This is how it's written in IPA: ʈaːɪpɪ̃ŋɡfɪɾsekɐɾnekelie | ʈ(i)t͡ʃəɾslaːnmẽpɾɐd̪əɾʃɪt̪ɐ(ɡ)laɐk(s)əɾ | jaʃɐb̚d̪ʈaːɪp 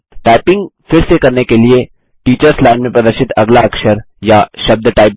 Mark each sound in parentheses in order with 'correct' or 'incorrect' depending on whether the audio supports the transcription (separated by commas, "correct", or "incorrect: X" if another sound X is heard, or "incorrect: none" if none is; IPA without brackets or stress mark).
incorrect: iː, correct, incorrect: ʃ